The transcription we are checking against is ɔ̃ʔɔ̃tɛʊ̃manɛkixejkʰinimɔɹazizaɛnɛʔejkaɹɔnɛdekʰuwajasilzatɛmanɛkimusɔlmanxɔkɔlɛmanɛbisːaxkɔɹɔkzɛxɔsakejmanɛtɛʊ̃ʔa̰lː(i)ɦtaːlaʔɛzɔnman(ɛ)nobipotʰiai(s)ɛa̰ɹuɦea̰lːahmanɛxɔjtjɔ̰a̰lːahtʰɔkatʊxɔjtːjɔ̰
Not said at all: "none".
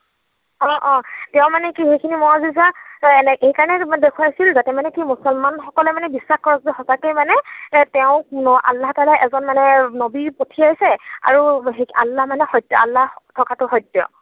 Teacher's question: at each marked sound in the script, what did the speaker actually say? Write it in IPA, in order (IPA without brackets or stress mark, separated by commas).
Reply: a, ɛ, s